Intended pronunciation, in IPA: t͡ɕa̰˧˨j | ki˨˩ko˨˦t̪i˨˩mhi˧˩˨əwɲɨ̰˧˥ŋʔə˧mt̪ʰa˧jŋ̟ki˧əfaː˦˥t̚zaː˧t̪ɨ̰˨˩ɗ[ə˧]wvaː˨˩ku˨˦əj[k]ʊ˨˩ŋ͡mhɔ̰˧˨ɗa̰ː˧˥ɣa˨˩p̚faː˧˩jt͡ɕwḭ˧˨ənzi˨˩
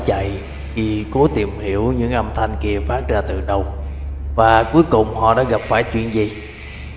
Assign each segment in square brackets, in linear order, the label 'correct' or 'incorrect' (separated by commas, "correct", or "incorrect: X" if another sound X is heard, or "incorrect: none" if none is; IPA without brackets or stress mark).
correct, correct